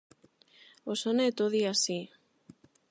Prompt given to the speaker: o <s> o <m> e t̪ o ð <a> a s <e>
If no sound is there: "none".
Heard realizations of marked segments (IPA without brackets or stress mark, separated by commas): s, n, i, i